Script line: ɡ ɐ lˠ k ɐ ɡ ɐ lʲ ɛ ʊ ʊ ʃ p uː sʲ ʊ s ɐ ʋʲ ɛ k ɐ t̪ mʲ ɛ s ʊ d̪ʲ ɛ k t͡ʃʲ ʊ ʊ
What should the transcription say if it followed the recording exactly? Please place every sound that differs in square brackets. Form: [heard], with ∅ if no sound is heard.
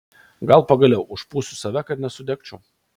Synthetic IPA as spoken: ɡ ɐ lˠ [p] ɐ ɡ ɐ lʲ ɛ ʊ ʊ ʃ p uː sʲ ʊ s ɐ ʋʲ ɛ k ɐ t̪ [nʲ] ɛ s ʊ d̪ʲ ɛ k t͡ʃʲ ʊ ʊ